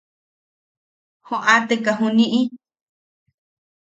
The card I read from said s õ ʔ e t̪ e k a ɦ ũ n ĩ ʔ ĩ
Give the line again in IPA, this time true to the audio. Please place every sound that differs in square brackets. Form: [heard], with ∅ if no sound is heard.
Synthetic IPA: [h] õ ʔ [a] t̪ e k a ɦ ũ n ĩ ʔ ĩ